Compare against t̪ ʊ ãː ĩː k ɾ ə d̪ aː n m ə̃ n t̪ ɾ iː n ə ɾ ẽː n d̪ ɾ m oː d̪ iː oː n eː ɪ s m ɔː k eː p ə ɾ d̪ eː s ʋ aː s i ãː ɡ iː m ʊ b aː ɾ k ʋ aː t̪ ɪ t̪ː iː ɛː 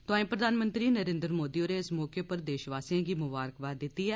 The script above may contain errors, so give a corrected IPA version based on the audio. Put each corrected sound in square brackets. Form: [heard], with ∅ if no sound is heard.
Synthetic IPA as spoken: t̪ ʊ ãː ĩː [p] ɾ ə d̪ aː n m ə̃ n t̪ ɾ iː n ə ɾ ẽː n d̪ ɾ m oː d̪ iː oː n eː ɪ s m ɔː k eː p ə ɾ d̪ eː [ʃ] ʋ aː s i ãː ɡ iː m ʊ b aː ɾ k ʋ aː [d̪] ɪ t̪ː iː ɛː